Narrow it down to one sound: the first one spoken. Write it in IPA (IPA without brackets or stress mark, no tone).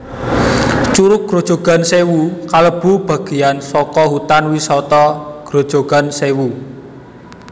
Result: t͡ʃ